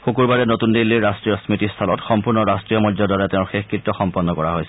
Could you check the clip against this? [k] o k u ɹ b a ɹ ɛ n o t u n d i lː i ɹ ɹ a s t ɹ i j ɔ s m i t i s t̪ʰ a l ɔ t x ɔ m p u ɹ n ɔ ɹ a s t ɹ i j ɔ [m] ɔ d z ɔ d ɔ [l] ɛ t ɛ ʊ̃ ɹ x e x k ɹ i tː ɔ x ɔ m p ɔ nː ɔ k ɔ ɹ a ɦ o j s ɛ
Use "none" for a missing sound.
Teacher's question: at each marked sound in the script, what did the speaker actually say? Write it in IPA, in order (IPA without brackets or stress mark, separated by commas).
x, m, ɹ